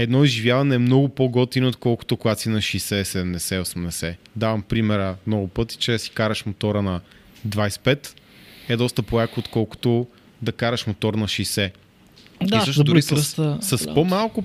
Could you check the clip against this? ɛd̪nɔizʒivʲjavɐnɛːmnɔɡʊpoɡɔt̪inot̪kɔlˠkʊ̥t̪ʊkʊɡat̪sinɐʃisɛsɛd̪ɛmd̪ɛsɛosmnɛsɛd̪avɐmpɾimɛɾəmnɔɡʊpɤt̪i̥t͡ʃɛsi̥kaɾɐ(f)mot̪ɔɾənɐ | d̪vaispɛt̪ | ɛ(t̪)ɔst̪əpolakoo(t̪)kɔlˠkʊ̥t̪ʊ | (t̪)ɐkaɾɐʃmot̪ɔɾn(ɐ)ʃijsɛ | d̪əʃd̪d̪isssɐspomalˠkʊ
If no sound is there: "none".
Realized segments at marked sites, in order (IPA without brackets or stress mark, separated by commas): ʃ, d̪, t̪, d̪, ɐ